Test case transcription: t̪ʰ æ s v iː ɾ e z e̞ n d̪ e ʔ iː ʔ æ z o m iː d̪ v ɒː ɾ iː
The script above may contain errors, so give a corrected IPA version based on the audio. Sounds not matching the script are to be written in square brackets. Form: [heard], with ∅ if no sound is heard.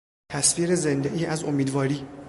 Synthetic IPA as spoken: t̪ʰ æ s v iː ɾ e z e̞ n d̪ e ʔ iː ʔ æ z o m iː d̪ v ɒː ɾ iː